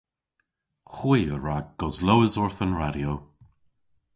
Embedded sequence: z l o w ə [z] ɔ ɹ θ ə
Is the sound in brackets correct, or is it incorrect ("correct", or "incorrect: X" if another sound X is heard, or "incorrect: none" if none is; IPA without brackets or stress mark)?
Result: correct